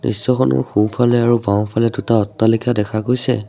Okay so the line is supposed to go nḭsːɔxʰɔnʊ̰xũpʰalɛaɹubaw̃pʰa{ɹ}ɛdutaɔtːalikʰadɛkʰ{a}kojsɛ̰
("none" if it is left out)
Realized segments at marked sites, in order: l, a

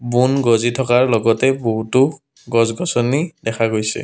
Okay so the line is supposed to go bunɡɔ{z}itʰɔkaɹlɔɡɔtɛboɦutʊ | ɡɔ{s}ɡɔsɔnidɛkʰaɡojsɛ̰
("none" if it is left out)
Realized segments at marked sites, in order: z, z

